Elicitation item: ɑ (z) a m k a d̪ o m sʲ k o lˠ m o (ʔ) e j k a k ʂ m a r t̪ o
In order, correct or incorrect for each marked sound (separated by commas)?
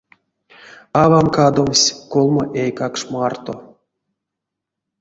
incorrect, correct